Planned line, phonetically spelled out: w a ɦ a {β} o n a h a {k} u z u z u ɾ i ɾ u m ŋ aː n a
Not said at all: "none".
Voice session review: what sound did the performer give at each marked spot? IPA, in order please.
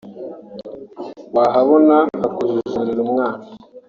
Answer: β, k

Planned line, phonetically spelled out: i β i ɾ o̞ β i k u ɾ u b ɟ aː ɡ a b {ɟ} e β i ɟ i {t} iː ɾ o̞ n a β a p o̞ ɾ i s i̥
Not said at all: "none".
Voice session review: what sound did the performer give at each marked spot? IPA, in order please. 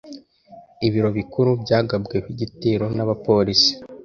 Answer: ɡ, t

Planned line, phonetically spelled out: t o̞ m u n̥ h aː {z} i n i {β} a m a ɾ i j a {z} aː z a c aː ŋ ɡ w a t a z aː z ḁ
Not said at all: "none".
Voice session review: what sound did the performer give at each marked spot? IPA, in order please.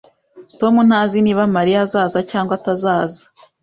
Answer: z, β, z

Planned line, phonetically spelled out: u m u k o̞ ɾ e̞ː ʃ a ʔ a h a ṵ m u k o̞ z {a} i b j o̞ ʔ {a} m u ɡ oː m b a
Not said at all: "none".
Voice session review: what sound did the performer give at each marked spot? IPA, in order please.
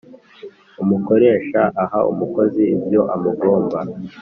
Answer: i, a

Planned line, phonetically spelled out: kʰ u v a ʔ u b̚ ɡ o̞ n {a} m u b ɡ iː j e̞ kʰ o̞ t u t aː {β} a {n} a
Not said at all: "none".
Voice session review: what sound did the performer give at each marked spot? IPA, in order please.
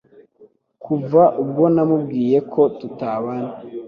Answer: a, β, n

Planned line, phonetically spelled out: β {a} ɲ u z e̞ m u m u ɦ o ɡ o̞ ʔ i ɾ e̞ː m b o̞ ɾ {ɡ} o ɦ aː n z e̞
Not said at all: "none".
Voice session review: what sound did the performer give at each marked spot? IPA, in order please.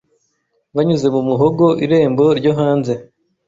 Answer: a, ɟ

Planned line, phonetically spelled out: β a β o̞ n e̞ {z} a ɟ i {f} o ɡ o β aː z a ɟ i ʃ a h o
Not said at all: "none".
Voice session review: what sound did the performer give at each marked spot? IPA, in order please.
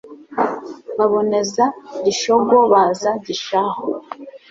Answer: z, ʃ

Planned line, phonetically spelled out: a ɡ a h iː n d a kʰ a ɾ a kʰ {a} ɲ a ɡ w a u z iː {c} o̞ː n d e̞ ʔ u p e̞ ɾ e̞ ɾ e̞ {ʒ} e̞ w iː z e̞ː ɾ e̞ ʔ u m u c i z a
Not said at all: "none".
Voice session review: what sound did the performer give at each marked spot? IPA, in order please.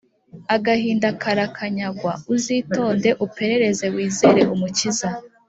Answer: a, t, z

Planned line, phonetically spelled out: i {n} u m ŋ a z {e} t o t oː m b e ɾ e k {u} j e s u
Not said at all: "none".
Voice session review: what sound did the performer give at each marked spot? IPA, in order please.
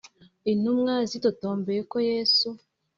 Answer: n, i, o

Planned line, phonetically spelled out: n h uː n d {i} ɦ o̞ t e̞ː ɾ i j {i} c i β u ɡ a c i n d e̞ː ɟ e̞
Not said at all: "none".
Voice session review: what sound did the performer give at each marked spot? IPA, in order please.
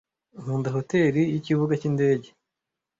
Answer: a, i

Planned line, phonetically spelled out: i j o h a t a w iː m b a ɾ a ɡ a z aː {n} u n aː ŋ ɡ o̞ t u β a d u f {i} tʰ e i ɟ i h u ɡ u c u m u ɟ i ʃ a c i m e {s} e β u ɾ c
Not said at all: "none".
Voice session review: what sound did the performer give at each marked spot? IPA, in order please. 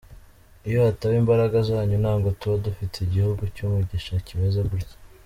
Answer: ɲ, i, z

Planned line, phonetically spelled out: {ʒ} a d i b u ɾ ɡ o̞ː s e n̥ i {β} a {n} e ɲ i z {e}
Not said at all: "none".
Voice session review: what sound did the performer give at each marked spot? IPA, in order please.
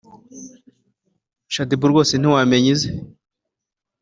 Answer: ʃ, w, m, e

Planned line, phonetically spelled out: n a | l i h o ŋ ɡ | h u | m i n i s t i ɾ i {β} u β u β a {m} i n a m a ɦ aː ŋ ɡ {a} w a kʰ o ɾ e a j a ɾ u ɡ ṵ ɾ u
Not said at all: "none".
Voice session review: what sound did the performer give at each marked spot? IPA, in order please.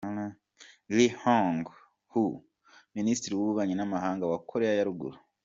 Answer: w, ɲ, a

